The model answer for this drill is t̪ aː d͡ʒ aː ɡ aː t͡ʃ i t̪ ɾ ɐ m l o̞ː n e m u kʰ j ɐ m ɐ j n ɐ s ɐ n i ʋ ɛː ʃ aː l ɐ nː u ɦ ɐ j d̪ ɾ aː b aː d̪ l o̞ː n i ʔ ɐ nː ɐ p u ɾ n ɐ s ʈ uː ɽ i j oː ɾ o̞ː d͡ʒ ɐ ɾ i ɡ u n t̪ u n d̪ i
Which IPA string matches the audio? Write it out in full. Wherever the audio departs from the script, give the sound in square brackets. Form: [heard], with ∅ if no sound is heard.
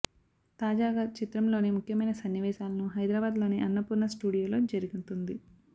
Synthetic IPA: t̪ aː d͡ʒ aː ɡ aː t͡ʃ i t̪ ɾ ɐ m l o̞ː n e m u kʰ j ɐ m ɐ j n ɐ s ɐ [nː] i ʋ ɛː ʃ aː l ɐ [n] u ɦ ɐ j d̪ ɾ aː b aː d̪ l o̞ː n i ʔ ɐ nː ɐ p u ɾ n ɐ s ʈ uː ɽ i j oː [l] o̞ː d͡ʒ ɐ ɾ i ɡ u n t̪ u n d̪ i